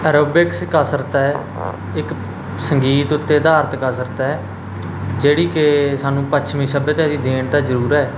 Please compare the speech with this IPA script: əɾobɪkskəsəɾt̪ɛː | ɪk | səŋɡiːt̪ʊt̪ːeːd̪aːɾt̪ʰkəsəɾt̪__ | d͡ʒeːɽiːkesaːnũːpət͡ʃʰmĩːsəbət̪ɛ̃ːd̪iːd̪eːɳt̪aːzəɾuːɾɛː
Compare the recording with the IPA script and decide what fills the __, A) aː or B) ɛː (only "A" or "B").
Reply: B